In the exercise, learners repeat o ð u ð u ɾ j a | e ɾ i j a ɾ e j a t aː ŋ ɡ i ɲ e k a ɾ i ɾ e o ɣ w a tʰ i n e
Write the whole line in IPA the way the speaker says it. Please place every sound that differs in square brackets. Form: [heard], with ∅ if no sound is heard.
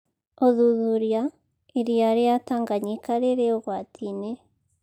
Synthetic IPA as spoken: o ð u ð u ɾ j a | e ɾ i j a ɾ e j a t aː ŋ ɡ [a] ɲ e k a ɾ [e] ɾ e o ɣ w a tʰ i n e